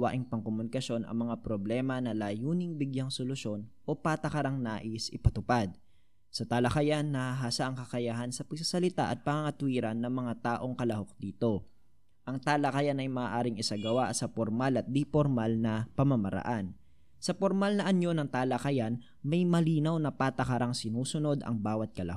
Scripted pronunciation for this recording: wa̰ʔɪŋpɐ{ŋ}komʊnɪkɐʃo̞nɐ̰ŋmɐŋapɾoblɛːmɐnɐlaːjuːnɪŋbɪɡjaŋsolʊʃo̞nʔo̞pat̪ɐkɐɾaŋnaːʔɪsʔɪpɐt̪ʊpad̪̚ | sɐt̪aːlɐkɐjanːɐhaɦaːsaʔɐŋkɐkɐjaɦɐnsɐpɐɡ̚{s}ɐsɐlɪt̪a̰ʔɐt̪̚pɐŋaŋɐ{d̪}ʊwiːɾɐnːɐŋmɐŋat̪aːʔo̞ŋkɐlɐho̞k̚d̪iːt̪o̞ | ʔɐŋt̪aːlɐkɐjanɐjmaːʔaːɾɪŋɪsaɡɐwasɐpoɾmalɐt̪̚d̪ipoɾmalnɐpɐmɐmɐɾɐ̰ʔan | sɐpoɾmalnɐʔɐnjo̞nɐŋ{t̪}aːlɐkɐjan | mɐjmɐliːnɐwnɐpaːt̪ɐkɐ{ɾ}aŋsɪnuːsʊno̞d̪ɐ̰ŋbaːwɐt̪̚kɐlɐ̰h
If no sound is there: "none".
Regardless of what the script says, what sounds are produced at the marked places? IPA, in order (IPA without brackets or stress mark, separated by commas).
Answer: ŋ, s, t̪, t̪, ɾ